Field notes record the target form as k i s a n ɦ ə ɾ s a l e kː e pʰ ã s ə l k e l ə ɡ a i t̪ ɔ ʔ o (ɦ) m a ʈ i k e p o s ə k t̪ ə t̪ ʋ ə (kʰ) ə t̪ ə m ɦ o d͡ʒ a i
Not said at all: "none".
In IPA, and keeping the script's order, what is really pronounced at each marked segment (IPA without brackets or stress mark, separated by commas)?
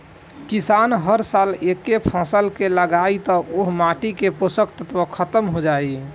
ɦ, kʰ